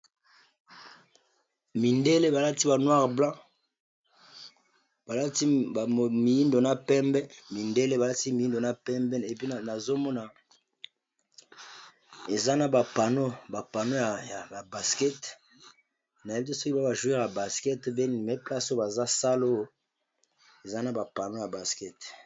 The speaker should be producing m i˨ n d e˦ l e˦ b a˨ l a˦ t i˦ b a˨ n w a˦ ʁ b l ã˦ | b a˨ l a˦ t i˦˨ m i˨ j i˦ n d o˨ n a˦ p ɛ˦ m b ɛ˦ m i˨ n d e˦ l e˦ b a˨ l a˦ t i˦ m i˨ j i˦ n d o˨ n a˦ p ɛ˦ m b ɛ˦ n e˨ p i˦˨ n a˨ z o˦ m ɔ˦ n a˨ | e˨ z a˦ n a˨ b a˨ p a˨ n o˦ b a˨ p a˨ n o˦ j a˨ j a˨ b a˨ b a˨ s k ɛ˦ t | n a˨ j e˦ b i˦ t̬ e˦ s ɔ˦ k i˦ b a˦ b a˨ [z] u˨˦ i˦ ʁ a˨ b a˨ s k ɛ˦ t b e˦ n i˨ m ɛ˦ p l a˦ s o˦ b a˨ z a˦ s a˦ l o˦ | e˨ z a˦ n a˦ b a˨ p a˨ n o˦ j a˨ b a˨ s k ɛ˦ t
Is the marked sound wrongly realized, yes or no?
yes